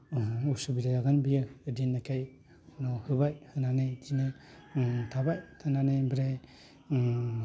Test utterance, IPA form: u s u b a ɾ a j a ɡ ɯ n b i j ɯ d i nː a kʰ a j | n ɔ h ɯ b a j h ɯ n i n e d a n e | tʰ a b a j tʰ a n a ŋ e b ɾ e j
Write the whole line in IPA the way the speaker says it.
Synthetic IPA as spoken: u s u b i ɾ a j a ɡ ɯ n b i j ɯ d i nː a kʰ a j | n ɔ h ɯ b a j h ɯ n a n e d i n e | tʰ a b a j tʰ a n a n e b ɾ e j